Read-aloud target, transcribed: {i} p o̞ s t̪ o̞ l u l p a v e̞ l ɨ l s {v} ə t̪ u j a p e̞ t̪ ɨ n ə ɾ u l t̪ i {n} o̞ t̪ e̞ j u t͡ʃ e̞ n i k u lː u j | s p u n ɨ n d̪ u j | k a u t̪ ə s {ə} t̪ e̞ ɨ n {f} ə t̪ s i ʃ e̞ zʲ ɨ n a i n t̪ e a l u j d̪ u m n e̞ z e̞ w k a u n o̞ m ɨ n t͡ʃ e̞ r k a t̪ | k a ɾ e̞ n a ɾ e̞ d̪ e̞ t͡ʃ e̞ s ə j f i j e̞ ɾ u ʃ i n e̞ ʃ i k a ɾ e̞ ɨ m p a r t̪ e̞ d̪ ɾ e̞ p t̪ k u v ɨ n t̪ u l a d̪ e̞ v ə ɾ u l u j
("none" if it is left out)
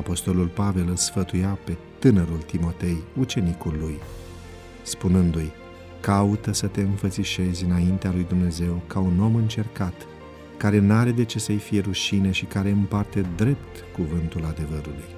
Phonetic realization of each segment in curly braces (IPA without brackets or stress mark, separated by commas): a, f, m, ə, f